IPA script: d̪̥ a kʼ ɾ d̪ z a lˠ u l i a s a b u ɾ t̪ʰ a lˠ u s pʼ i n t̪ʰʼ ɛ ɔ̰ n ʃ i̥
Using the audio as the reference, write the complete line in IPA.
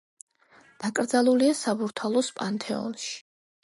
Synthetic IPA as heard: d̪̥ a kʼ ɾ d̪ z a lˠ u l i a s a b u ɾ t̪ʰ a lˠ ɔ s pʼ a n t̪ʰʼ ɛ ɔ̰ n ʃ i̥